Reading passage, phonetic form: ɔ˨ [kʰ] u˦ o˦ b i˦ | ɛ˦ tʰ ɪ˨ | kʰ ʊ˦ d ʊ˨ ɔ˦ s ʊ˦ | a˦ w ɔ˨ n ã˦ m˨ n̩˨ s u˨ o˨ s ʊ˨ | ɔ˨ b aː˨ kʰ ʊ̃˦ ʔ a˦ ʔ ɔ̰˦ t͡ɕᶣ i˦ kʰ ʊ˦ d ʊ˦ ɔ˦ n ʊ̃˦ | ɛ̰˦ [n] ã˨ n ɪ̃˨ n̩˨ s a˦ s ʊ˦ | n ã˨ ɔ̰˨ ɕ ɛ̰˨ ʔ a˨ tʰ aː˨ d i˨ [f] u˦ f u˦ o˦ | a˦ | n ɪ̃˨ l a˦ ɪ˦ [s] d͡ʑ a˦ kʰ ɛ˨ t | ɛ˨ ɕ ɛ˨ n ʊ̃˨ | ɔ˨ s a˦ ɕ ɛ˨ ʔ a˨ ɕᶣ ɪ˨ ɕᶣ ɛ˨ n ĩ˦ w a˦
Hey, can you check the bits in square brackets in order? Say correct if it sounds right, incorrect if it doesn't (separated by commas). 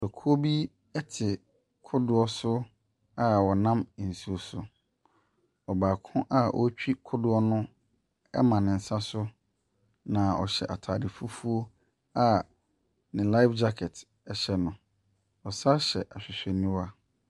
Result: correct, incorrect, correct, incorrect